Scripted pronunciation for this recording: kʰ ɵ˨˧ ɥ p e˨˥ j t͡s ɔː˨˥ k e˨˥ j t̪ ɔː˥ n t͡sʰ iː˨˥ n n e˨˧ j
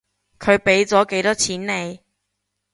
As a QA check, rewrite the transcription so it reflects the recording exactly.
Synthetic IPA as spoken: kʰ ɵ˨˧ ɥ p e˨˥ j t͡s ɔː˨˥ k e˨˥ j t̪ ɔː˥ t͡sʰ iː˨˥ n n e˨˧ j